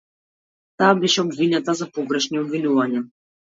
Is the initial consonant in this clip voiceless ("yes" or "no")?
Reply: yes